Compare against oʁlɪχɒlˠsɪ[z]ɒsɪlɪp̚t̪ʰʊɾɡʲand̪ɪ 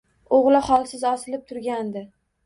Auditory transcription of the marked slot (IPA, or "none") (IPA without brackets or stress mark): z